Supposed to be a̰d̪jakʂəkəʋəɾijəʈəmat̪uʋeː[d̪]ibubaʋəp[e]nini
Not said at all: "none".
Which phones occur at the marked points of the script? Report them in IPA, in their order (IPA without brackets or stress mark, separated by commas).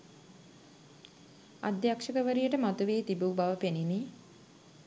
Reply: t̪, e